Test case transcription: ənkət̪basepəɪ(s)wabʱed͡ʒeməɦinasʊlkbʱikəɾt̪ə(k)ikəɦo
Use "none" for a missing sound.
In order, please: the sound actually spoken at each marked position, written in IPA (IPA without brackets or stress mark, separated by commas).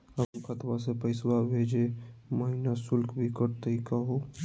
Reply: s, none